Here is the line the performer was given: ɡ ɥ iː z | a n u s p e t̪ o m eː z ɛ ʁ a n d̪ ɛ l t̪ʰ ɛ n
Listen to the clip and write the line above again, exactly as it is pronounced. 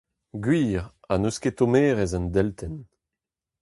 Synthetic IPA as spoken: ɡ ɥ iː ʁ | a n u s k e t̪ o m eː ʁ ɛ z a n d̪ ɛ l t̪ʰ ɛ n

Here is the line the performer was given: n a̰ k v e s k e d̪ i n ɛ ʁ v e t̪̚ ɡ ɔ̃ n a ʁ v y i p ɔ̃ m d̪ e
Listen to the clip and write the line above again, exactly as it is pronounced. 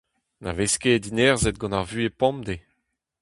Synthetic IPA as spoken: n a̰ v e s k e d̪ i n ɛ ʁ z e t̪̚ ɡ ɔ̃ n a ʁ v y e p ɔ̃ m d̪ e

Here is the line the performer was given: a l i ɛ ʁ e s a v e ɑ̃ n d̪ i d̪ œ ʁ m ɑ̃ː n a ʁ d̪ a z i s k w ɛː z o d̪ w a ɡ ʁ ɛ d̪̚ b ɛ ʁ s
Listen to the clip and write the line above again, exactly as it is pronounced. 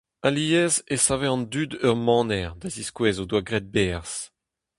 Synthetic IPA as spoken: a l i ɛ z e s a v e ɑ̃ n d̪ y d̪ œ ʁ m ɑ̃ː n ɛ ʁ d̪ a z i s k w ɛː z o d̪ w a ɡ ʁ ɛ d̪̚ b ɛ ʁ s

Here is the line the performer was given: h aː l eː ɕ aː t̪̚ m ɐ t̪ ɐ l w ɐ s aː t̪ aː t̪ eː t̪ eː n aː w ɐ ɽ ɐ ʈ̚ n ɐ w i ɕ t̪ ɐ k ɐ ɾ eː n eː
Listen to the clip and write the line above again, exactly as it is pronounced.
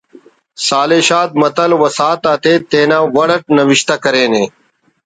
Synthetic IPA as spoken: s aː l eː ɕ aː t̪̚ m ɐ t̪ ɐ l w ɐ s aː t̪ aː t̪ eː t̪ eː n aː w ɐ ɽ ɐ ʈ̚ n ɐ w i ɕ t̪ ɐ k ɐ ɾ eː n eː

